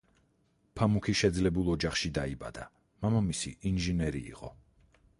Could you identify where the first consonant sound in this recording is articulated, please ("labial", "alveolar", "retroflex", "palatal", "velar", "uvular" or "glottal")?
labial